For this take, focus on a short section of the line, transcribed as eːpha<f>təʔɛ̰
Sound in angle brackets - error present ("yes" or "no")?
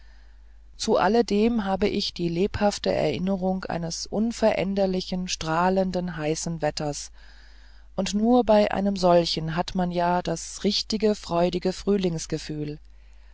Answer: no